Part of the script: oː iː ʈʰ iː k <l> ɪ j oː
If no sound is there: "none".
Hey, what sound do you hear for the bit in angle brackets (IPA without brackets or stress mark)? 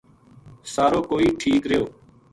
ɾ